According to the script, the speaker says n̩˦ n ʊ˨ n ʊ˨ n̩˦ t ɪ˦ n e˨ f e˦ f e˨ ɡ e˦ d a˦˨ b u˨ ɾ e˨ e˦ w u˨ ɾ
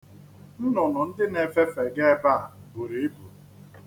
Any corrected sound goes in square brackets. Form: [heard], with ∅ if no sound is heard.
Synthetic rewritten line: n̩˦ n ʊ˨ n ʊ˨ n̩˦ [d] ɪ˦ n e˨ f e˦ f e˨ ɡ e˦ [b] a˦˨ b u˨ ɾ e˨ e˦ [b] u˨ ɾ